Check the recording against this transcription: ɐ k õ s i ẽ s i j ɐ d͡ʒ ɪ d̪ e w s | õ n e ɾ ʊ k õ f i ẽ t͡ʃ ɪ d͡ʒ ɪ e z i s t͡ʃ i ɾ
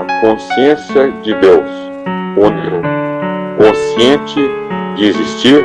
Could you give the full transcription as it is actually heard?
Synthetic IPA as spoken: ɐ k õ s i ẽ s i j ɐ d͡ʒ ɪ d̪ e w s | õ n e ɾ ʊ k õ s i ẽ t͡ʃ ɪ d͡ʒ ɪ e z i s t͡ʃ i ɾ